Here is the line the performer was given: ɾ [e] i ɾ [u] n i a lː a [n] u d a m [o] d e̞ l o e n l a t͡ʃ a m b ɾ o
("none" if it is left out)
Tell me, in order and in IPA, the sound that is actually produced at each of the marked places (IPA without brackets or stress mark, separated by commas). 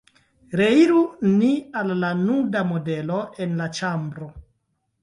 e, u, n, o